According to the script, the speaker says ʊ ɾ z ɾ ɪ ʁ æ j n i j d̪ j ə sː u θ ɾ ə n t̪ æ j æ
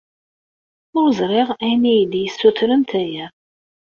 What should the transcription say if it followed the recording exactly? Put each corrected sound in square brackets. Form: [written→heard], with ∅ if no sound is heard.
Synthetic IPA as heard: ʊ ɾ z ɾ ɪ ʁ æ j n i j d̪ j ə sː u θ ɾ ə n t̪ æ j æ